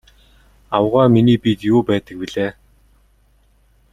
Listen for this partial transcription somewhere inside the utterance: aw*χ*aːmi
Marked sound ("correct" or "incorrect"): incorrect